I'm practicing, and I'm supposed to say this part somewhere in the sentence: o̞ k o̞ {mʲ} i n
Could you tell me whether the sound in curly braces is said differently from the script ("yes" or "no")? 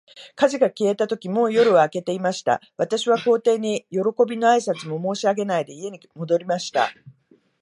yes